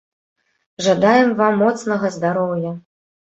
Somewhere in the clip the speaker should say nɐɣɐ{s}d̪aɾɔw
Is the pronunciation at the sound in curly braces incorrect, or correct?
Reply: incorrect: z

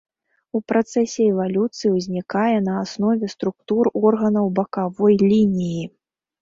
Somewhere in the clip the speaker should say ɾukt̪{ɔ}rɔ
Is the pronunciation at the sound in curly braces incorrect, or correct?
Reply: incorrect: u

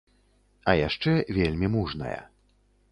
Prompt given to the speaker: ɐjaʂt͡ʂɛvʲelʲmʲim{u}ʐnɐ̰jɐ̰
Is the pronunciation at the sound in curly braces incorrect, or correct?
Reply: correct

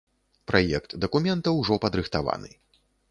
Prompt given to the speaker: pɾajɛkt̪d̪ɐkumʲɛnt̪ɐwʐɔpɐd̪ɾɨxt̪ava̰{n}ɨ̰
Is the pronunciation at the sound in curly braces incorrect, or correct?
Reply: correct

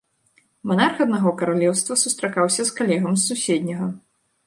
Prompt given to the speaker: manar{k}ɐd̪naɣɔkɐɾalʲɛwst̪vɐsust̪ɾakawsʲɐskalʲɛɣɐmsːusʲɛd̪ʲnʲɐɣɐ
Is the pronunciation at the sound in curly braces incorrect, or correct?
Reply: incorrect: x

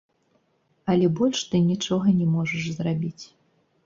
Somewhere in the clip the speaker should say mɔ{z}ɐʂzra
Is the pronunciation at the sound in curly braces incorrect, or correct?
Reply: incorrect: ʐ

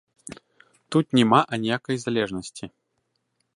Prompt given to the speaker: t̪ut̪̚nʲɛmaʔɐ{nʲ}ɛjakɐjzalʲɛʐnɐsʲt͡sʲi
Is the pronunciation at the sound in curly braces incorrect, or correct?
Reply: correct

